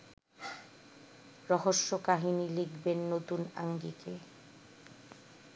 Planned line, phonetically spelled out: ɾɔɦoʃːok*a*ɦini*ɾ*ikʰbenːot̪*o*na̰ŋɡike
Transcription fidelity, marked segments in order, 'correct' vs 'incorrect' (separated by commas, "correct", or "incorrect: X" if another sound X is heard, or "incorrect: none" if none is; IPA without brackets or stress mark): correct, incorrect: l, incorrect: u